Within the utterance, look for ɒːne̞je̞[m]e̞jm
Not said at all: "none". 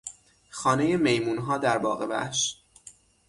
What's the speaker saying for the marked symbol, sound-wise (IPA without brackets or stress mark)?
m